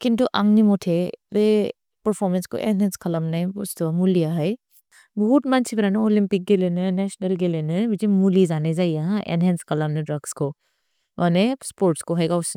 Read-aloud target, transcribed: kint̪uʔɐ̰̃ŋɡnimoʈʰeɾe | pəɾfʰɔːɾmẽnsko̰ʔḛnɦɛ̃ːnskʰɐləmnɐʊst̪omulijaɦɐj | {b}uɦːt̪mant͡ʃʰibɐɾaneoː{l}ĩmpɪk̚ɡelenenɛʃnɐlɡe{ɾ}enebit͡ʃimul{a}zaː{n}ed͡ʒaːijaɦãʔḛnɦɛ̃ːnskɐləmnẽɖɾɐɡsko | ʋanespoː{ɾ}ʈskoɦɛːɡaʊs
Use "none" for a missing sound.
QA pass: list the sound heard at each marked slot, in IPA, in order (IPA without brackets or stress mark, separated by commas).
b, l, l, i, n, ɾ